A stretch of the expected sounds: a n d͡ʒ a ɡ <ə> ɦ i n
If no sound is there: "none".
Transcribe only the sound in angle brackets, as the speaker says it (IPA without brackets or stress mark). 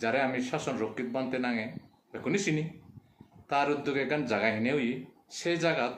a